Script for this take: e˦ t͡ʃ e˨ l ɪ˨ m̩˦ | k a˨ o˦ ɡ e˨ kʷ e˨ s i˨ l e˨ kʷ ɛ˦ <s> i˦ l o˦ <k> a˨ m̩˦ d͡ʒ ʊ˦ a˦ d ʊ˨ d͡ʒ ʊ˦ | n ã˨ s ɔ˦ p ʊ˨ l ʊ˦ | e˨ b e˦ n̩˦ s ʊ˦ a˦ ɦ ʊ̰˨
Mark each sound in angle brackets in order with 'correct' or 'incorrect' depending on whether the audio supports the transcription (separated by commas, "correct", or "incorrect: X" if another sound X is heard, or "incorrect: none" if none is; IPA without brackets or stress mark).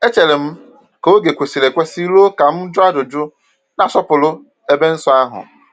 correct, correct